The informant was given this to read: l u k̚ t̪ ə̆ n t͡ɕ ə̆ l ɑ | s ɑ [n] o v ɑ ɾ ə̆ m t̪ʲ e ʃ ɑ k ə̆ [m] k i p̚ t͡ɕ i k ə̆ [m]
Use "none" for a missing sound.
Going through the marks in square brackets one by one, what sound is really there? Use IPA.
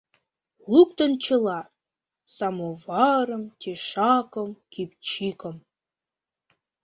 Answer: m, m, m

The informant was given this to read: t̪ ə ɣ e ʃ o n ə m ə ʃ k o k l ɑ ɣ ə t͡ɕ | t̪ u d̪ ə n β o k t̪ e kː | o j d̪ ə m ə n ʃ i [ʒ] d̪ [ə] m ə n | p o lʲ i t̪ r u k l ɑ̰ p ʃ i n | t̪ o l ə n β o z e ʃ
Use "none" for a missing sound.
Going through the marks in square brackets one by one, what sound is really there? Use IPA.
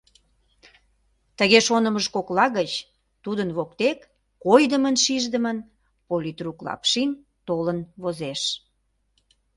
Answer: ʒ, ə

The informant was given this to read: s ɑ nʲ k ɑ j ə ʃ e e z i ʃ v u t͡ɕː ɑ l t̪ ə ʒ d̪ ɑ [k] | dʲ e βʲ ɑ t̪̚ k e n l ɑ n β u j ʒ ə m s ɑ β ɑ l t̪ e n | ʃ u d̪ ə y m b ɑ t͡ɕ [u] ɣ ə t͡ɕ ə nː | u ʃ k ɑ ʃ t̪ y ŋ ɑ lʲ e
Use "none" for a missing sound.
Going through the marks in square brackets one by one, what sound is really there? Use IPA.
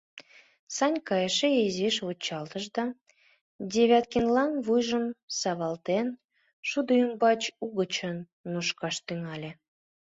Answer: none, u

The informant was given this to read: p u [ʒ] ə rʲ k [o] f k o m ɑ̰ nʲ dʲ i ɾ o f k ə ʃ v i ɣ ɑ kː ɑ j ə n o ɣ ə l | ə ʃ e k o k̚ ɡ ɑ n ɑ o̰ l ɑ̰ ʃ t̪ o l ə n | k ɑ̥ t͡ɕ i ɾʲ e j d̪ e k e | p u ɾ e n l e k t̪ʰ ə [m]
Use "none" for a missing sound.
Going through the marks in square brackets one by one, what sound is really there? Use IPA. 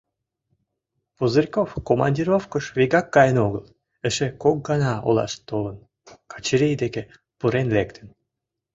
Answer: z, o, n

